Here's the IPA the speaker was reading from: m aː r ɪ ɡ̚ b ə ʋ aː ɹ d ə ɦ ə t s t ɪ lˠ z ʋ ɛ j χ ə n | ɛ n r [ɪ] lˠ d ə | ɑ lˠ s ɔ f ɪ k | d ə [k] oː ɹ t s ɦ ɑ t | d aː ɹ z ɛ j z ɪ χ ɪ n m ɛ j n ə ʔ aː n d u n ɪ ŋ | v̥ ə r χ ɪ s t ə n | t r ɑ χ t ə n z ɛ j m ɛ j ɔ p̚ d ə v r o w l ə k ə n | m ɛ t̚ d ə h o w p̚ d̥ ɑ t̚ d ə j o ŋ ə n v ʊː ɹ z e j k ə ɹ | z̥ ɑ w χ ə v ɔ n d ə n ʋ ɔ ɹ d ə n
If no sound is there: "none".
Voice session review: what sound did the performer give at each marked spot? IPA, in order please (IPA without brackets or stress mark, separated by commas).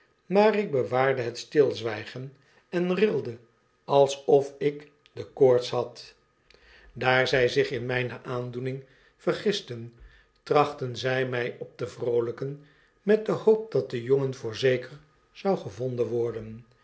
ɪ, k